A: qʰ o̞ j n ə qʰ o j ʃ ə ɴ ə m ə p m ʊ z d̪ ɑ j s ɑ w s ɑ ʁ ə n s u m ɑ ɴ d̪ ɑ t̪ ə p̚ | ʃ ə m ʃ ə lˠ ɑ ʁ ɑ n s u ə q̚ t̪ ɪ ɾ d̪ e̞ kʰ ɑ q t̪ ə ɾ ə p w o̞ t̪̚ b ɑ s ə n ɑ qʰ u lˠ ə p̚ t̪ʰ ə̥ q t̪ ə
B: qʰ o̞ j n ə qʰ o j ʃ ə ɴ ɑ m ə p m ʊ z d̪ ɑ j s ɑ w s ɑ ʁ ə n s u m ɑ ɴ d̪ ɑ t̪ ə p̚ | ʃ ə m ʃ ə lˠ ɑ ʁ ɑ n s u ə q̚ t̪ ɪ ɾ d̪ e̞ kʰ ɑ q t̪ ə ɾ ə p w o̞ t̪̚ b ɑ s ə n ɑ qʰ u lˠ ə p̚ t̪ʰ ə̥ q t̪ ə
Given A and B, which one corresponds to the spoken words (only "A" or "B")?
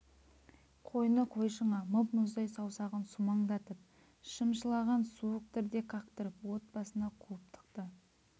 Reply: B